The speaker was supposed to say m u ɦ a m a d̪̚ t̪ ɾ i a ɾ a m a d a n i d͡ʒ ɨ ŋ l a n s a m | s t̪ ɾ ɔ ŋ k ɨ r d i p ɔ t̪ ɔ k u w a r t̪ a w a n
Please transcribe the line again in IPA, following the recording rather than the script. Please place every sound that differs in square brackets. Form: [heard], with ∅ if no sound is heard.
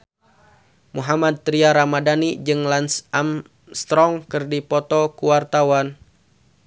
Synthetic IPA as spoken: m u ɦ a m a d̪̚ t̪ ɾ i a ɾ a m a d a n i d͡ʒ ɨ ŋ l a n s a m | s t̪ ɾ ɔ ŋ k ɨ r d i p ɔ t̪ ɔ k u w a r t̪ a w a n

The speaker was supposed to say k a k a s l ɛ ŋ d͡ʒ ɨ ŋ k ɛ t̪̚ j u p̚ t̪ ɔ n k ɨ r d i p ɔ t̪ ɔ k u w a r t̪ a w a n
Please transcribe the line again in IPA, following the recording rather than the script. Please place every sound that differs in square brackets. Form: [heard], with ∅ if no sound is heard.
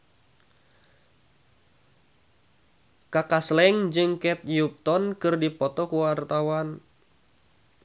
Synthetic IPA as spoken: k a k a s l ɛ ŋ d͡ʒ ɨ ŋ k ɛ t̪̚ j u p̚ t̪ ɔ n k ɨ r d i p ɔ t̪ ɔ k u w a r t̪ a w a n

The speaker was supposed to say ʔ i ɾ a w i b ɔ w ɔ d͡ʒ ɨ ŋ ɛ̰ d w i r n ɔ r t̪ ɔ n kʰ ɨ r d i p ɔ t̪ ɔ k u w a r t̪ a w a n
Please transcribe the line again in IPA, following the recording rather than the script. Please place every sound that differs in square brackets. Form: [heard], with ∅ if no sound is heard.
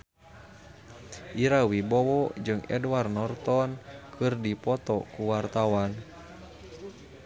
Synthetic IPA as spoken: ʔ i ɾ a w i b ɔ w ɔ d͡ʒ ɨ ŋ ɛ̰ d w [a] r n ɔ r t̪ ɔ n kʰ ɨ r d i p ɔ t̪ ɔ k u w a r t̪ a w a n

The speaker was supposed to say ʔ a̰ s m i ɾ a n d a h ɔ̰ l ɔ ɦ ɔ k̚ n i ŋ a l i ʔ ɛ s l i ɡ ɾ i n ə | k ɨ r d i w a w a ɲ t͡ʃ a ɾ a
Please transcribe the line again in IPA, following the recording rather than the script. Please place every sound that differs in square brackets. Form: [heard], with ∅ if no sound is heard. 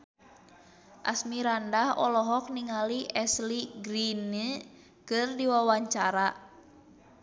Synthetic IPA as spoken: ʔ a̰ s m i ɾ a n d a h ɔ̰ l ɔ ɦ ɔ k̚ n i ŋ a l i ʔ ɛ s l i ɡ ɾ i n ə | k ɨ r d i w a w a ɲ t͡ʃ a ɾ a

